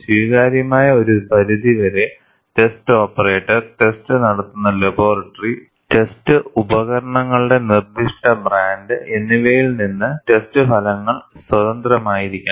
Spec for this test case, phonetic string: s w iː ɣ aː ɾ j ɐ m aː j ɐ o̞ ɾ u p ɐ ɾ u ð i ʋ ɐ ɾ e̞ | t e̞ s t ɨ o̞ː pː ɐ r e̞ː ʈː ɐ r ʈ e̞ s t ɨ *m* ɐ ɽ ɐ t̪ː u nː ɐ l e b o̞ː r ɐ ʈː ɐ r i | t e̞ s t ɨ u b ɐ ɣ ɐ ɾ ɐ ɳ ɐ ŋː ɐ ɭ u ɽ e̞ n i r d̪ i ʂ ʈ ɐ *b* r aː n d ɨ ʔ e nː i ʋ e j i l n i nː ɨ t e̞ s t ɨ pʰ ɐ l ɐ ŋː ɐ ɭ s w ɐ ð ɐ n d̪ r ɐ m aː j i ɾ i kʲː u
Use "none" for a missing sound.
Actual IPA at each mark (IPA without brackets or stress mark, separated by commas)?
n, b